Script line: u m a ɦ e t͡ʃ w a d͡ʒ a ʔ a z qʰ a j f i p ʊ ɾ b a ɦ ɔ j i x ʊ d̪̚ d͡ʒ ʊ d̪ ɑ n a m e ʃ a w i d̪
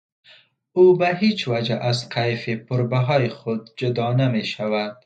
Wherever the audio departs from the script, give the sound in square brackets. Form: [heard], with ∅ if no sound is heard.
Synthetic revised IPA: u [b] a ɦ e t͡ʃ w a d͡ʒ a ʔ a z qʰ a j f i p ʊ ɾ b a ɦ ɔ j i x ʊ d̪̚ d͡ʒ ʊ d̪ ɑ n a m e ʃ a w [a] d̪